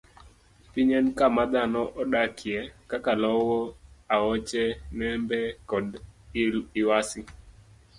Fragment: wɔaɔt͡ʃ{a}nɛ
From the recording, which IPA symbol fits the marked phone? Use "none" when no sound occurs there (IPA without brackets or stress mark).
ɛ